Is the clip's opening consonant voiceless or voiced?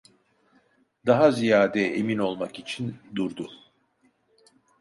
voiced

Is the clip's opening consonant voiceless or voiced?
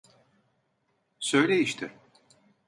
voiceless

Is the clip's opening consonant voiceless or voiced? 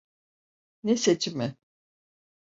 voiced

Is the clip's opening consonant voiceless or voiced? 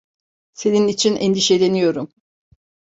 voiceless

